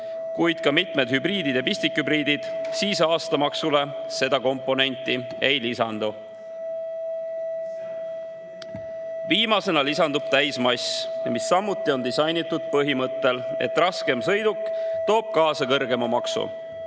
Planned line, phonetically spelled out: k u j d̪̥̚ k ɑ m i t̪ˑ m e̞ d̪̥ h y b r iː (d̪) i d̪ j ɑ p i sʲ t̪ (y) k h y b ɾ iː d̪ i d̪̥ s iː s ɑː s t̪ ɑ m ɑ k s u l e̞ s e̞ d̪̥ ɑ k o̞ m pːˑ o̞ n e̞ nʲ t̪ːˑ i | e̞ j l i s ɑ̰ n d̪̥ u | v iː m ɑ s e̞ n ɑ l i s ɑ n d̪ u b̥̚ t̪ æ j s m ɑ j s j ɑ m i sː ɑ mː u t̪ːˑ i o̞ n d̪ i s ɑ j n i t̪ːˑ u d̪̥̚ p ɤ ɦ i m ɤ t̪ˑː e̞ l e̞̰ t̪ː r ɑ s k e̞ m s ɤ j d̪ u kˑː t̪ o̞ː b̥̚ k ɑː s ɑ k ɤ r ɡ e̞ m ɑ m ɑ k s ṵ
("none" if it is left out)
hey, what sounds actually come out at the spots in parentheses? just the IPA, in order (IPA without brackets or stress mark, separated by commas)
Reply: d̪, i